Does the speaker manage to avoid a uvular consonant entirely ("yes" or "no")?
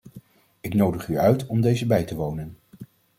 no